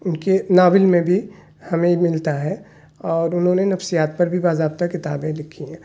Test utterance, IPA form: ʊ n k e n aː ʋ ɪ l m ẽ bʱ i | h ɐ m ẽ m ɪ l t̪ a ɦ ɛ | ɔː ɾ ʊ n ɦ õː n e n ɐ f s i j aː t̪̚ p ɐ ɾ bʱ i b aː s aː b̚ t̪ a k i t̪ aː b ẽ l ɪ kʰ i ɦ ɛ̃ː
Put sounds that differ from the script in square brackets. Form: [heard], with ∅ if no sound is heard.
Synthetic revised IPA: ʊ n k e n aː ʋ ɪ l m ẽ bʱ i | h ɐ m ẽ m ɪ l t̪ a ɦ ɛ | ɔː ɾ ʊ n ɦ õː n e n ɐ f s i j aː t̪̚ p ɐ ɾ bʱ i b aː [z] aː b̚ t̪ a k [ɪ] t̪ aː b ẽ l ɪ kʰ i ɦ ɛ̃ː